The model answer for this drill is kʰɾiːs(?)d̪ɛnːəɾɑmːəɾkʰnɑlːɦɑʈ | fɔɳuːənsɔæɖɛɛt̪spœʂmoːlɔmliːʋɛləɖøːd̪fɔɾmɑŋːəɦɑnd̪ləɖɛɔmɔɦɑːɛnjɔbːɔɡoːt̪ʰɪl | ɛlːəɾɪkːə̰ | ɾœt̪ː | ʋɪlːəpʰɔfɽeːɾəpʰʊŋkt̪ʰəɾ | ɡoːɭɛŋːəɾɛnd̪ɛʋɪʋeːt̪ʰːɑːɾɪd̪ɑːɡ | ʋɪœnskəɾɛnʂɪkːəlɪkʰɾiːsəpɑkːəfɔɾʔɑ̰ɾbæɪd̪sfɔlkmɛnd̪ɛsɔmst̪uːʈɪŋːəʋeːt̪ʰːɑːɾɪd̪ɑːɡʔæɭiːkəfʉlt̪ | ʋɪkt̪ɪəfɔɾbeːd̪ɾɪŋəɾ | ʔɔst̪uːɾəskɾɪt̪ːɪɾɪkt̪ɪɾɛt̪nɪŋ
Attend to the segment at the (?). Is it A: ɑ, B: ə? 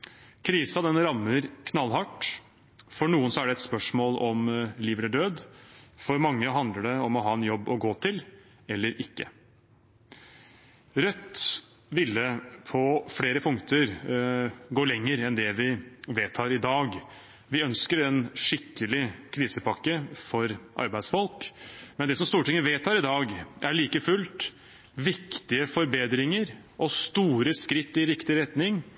A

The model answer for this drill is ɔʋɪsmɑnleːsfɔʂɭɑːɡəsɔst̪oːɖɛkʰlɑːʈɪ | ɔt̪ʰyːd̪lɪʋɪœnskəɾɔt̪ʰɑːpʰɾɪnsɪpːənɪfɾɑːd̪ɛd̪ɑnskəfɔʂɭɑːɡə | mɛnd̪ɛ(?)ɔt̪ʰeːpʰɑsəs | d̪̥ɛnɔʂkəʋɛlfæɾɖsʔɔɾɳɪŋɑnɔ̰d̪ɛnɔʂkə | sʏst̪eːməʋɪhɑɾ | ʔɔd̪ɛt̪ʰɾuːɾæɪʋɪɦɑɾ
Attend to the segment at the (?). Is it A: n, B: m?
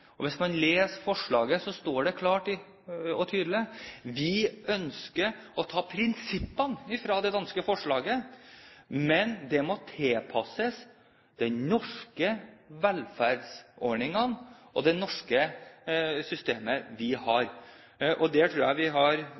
B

